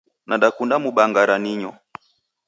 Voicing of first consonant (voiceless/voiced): voiced